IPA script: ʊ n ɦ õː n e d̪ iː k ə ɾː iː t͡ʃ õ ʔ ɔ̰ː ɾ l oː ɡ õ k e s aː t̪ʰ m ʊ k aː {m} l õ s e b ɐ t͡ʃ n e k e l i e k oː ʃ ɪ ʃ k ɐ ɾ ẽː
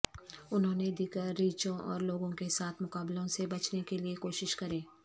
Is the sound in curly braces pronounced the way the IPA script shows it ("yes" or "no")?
no